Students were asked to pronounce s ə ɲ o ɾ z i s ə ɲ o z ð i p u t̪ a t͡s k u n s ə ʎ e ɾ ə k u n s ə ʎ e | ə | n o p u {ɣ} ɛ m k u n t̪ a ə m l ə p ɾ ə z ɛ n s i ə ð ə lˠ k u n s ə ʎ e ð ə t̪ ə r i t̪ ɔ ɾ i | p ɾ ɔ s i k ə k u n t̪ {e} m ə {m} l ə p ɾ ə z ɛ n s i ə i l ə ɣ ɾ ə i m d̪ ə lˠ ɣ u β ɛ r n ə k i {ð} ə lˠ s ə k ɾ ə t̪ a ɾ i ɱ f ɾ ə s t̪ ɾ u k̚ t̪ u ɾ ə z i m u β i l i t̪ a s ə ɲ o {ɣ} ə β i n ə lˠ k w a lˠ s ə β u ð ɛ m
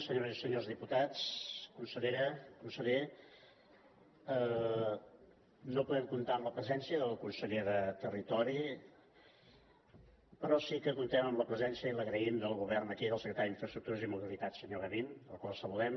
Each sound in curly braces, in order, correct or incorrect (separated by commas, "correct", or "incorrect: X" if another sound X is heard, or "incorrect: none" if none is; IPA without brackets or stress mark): incorrect: ð, incorrect: ɛ, correct, correct, correct